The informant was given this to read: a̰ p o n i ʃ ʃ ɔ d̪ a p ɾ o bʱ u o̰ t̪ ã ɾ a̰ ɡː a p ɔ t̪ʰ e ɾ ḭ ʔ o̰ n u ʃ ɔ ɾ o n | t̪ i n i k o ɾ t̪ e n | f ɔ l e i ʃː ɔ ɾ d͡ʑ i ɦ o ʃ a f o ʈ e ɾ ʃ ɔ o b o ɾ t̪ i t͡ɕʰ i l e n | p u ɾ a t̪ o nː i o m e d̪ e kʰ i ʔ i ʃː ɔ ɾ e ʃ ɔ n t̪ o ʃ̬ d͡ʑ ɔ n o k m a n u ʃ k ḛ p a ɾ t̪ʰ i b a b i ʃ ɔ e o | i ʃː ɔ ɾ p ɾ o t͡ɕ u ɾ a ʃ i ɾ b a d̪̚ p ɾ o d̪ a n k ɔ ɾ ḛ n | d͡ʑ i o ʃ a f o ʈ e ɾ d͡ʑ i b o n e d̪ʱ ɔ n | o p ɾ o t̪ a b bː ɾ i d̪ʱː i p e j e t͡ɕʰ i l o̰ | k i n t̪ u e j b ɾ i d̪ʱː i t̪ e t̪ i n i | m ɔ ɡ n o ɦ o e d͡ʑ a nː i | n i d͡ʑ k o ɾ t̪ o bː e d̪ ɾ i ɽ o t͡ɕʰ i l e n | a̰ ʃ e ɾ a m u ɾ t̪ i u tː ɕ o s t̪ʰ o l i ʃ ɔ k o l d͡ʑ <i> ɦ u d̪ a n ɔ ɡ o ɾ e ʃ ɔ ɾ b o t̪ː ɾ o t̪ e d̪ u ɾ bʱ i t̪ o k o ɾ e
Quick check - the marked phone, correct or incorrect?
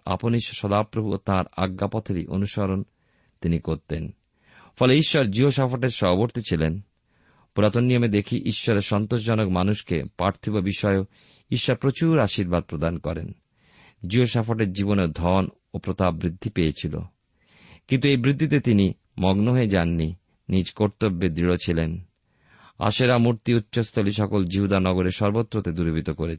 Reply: correct